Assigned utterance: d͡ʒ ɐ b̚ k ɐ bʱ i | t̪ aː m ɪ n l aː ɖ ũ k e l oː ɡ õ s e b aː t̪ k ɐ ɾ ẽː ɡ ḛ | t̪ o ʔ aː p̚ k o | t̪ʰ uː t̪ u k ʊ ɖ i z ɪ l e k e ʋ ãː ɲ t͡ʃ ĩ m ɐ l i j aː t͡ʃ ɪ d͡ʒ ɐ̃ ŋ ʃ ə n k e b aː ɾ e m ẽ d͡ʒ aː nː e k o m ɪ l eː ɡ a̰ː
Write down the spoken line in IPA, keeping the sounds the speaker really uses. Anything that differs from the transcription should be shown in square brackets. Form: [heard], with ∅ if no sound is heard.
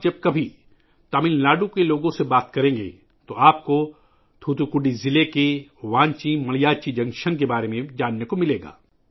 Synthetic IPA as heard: d͡ʒ ɐ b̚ k ɐ bʱ i | t̪ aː m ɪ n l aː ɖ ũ k e l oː ɡ õ s e b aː t̪ k ɐ ɾ ẽː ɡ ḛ | t̪ o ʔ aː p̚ k o | t̪ʰ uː t̪ u k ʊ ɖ i z ɪ l e k e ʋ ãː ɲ t͡ʃ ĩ m ɐ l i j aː t͡ʃ [i] d͡ʒ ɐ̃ ŋ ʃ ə n k e b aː ɾ e m ẽ d͡ʒ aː nː e k o m ɪ l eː ɡ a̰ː